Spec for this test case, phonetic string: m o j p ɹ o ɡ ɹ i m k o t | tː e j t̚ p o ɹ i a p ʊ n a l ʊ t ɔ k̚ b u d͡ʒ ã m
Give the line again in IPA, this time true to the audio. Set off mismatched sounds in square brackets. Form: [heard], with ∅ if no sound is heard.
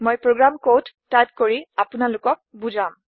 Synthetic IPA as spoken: m o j p ɹ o ɡ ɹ [a] m k o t | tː [a] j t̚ [k] o ɹ i a p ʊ n a l ʊ [k] ɔ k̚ b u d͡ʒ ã m